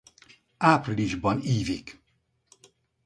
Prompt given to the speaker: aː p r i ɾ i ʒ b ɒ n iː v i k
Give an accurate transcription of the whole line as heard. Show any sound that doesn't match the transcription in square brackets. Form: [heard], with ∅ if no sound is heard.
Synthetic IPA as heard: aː p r i [l] i ʒ b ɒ n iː v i k